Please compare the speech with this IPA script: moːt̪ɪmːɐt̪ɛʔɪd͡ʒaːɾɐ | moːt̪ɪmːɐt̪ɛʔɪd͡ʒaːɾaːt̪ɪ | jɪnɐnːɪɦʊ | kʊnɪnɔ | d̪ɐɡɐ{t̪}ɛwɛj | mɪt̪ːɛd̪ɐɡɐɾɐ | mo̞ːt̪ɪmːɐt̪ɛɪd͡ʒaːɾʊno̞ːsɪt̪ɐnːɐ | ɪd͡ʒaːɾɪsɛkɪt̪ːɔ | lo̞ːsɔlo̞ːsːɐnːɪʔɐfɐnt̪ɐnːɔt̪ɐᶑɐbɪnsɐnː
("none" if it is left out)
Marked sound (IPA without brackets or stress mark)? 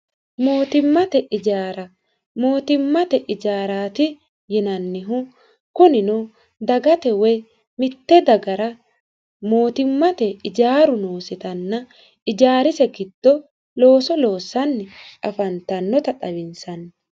t̪